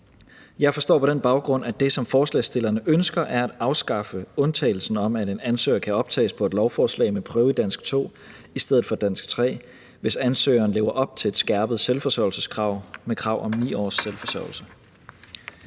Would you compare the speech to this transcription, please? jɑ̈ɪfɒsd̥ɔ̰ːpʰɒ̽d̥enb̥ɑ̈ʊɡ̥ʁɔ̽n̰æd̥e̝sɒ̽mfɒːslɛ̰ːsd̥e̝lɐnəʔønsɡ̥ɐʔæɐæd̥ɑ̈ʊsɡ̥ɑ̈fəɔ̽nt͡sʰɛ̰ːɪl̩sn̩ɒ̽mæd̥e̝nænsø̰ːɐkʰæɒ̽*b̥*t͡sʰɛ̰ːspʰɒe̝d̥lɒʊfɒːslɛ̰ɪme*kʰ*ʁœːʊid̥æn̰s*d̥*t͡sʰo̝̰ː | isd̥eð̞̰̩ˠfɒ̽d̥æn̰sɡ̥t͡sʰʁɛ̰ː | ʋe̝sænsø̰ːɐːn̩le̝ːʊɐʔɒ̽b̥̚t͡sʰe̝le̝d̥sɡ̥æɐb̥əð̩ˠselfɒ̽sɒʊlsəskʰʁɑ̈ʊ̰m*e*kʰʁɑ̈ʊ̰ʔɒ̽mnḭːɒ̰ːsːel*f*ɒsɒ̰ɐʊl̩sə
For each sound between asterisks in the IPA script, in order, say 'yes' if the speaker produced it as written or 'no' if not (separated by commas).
yes, no, no, yes, yes